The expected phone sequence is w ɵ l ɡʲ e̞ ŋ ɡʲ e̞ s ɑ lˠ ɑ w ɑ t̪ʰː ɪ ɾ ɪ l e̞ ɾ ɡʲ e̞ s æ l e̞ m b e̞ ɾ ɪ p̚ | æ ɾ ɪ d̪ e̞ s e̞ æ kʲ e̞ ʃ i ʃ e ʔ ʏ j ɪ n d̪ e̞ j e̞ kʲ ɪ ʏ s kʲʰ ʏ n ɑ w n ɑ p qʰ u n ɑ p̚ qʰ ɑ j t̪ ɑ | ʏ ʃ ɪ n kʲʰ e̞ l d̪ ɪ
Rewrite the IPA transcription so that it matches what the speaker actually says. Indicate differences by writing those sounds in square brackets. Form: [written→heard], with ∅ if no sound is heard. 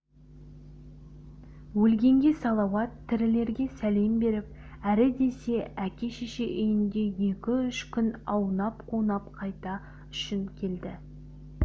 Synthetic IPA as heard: w ɵ l ɡʲ e̞ ŋ ɡʲ e̞ s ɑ lˠ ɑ w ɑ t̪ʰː ɪ ɾ ɪ l e̞ ɾ ɡʲ e̞ s æ l e̞ m b e̞ ɾ ɪ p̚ | æ ɾ ɪ d̪ e̞ s e̞ æ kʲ e̞ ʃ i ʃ e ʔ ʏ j ɪ n d̪ e̞ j e̞ kʲ ɪ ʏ [s→ʃ] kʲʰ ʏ n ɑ w n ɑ p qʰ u n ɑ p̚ qʰ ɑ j t̪ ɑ | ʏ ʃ ɪ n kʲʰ e̞ l d̪ ɪ